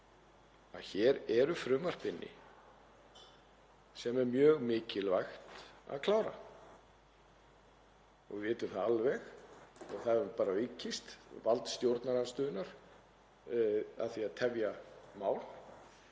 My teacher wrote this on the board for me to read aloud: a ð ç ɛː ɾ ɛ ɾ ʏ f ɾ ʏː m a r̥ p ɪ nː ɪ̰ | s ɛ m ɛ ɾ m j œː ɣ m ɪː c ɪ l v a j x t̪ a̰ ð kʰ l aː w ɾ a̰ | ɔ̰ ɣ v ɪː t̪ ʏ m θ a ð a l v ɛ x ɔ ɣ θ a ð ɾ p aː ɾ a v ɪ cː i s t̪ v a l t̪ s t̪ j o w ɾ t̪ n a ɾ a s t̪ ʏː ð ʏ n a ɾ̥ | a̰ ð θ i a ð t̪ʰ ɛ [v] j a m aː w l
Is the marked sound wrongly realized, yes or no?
no